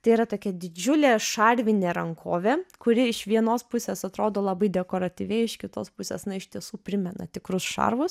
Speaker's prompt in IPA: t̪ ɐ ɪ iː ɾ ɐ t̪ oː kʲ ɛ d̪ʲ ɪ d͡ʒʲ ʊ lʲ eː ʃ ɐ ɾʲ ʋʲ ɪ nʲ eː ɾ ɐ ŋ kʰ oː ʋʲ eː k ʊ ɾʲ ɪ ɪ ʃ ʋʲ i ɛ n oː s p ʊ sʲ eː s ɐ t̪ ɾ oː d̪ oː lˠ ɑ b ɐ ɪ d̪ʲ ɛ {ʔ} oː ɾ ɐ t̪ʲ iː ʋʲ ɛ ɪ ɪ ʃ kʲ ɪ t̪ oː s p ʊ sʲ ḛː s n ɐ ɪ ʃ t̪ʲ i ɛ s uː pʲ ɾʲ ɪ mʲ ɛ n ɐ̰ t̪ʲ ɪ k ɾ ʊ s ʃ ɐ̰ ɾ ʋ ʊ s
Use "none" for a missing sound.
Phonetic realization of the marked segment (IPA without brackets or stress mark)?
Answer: k